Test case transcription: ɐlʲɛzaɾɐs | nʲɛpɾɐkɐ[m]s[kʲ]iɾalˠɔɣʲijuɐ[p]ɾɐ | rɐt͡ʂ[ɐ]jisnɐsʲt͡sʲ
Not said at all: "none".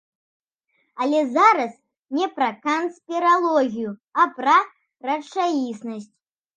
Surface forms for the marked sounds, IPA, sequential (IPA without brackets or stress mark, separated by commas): n, pʲ, p, a